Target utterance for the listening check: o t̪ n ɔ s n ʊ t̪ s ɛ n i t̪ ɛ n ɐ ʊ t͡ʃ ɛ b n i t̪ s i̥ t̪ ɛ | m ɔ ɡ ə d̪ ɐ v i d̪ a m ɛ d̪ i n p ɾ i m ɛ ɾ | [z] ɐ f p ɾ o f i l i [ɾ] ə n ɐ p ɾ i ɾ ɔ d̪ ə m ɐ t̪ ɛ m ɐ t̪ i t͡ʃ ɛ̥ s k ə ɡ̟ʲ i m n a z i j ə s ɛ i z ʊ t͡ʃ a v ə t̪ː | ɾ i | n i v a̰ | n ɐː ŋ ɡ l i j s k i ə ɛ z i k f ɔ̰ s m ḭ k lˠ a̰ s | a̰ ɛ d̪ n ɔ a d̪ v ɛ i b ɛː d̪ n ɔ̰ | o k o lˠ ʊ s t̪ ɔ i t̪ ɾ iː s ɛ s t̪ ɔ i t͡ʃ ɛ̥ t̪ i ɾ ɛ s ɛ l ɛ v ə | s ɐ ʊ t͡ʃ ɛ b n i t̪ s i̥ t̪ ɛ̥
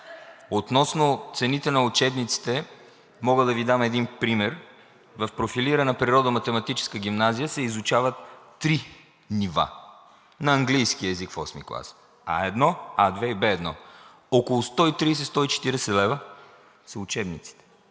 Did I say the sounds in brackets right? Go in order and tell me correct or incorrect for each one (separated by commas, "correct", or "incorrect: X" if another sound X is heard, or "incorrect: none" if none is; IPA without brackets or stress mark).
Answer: incorrect: v, correct